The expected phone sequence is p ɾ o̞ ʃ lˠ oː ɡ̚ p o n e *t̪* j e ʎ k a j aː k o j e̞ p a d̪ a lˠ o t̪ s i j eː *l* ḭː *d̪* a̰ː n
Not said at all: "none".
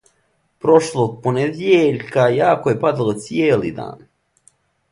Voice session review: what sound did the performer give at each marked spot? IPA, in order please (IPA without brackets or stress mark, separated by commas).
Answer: d̪, l, d̪